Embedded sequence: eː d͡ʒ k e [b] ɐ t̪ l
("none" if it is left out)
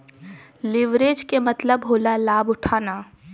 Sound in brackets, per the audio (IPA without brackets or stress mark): m